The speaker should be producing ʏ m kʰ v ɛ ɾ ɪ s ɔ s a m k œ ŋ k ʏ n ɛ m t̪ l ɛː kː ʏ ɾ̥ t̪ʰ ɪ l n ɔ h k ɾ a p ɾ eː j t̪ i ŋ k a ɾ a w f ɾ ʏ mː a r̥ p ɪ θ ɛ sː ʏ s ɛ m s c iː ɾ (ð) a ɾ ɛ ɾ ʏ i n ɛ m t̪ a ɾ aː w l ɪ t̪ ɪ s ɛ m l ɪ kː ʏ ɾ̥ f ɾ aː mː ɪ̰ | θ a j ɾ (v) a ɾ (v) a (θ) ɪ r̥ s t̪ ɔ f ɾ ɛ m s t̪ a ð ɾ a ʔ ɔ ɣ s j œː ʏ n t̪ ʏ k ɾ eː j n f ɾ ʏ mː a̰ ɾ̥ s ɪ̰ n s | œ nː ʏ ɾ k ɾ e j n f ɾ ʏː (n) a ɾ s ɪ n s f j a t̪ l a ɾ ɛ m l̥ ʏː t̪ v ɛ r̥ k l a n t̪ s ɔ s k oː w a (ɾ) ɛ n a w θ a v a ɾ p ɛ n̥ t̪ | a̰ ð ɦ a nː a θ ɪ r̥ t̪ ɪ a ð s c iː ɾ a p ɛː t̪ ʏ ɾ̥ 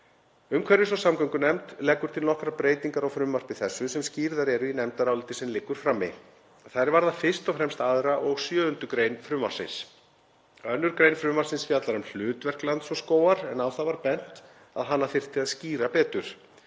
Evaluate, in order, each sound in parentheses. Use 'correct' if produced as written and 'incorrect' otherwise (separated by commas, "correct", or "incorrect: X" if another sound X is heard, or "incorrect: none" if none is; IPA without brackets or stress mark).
correct, correct, incorrect: ð, incorrect: f, incorrect: m, correct